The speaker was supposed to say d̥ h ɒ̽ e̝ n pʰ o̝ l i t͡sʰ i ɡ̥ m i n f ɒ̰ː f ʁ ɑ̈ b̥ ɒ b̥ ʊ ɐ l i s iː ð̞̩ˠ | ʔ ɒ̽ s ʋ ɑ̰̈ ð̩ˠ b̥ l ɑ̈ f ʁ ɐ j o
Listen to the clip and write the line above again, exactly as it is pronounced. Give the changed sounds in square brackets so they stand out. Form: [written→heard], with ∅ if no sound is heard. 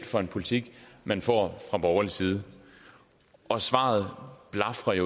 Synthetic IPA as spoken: d̥ [h→f] ɒ̽ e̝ n pʰ o̝ l i t͡sʰ i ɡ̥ m [i→æ] n f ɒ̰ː f ʁ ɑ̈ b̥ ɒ [b̥→∅] ʊ ɐ l i s iː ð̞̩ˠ | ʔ ɒ̽ s ʋ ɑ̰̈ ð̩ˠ b̥ l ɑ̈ f ʁ ɐ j o

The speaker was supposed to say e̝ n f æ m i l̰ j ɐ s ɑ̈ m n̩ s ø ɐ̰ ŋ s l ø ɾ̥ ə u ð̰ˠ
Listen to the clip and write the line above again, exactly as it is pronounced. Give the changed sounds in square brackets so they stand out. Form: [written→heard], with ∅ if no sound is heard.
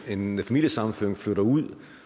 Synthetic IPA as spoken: e̝ n f æ m i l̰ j [ɐ→ə] s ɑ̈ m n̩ [s→f] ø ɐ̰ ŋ [s→f] l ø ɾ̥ [ə→ɐ] u ð̰ˠ

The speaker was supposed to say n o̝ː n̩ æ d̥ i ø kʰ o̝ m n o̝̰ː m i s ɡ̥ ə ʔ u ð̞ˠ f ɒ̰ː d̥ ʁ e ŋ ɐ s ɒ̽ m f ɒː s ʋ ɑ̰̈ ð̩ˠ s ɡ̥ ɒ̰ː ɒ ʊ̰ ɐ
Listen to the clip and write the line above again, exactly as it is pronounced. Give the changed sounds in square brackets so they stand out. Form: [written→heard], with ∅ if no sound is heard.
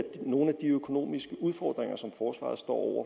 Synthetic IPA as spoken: n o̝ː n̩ æ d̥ i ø kʰ o̝ [m→∅] n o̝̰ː m i s ɡ̥ ə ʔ u ð̞ˠ f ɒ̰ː d̥ ʁ e ŋ ɐ s ɒ̽ m f ɒː s ʋ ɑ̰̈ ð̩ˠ s [ɡ̥→d̥] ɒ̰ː ɒ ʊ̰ ɐ

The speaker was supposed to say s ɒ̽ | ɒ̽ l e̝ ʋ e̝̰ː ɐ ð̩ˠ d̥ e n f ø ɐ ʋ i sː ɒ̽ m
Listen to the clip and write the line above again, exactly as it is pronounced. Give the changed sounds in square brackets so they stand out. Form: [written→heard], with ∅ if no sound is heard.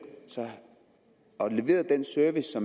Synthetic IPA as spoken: s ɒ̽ | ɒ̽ l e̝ ʋ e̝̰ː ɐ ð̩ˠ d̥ e n [f→s] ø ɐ ʋ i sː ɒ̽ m

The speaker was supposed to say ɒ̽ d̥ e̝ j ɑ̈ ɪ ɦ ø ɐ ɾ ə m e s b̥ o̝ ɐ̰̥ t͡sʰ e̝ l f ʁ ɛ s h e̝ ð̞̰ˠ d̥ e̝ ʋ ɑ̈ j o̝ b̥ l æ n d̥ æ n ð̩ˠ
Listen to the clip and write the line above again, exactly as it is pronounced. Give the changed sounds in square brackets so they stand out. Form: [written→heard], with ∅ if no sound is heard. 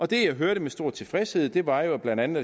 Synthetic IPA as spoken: ɒ̽ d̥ e̝ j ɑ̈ ɪ ɦ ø ɐ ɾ ə m e s [b̥→d̥] o̝ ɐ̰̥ t͡sʰ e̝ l f ʁ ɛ s h e̝ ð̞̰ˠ d̥ e̝ ʋ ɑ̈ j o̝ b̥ l æ n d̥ æ n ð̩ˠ

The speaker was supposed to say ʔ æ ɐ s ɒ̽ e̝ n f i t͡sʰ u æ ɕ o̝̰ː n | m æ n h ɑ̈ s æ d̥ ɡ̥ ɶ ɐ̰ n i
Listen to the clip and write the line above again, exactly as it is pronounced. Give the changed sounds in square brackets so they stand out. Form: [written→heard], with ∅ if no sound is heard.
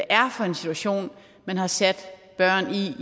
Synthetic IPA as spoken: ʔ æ ɐ [s→f] ɒ̽ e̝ n [f→s] i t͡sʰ u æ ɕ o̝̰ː n | m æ n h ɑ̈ s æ d̥ [ɡ̥→b̥] ɶ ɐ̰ n i

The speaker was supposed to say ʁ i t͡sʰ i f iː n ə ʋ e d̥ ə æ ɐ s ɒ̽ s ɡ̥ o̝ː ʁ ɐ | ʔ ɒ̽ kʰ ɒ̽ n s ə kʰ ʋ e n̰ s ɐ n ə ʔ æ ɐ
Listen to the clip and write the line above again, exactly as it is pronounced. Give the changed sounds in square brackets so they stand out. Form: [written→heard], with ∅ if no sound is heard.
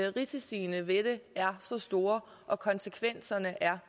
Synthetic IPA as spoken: ʁ i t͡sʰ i [f→s] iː n ə ʋ e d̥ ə æ ɐ s ɒ̽ s [ɡ̥→d̥] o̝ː [ʁ→∅] ɐ | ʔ ɒ̽ kʰ ɒ̽ n s ə kʰ ʋ e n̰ s ɐ n ə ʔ æ ɐ

